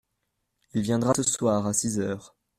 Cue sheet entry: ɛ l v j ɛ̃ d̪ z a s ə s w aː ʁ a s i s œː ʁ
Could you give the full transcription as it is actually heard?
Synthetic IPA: i l v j ɛ̃ d̪ ʁ a s ə s w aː ʁ a s i z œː ʁ